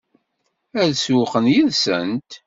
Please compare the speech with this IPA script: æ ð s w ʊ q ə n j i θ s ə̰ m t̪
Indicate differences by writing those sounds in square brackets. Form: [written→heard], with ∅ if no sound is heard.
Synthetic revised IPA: æ ð s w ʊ q ə n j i [θ→ð] s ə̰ [m→n] t̪